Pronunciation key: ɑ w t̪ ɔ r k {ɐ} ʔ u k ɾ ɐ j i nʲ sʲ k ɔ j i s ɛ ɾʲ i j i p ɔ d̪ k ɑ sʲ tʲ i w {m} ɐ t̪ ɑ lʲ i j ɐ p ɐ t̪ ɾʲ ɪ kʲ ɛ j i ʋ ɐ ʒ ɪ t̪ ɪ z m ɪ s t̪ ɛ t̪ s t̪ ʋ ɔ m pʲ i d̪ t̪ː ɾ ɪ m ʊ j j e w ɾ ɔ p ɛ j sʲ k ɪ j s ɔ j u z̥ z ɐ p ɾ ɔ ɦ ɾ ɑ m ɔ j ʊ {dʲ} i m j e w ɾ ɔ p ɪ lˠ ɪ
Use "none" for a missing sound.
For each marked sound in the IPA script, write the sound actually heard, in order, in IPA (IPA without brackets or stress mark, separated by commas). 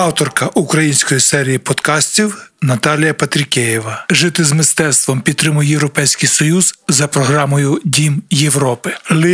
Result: ɐ, n, dʲ